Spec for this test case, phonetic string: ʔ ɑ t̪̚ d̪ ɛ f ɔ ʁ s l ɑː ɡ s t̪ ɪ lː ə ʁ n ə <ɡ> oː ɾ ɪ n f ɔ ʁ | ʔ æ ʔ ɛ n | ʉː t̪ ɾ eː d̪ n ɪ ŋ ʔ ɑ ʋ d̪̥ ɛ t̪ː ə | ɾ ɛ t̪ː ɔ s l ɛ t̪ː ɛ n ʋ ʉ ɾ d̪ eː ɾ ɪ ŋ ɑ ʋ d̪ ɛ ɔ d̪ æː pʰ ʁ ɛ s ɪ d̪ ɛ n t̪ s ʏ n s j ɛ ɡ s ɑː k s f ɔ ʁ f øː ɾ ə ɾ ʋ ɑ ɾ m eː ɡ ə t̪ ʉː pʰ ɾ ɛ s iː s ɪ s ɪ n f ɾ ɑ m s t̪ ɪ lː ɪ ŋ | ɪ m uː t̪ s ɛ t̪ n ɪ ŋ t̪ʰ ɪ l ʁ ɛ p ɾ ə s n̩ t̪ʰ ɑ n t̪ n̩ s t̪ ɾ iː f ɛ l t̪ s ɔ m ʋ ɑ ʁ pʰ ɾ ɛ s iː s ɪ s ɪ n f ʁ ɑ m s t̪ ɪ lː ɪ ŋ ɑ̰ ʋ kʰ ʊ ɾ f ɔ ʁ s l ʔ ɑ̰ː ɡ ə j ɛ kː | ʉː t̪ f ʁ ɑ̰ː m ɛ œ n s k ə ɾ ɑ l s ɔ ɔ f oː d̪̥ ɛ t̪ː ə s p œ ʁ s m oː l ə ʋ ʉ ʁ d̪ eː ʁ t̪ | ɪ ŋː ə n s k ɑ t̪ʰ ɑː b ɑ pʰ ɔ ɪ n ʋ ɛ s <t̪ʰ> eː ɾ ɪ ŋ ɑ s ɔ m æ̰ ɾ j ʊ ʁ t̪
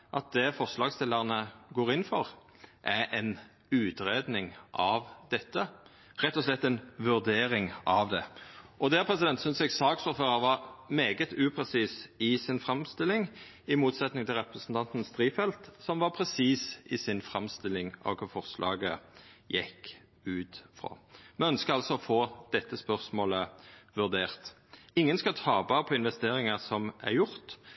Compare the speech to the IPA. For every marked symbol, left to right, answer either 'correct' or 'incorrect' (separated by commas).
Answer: correct, incorrect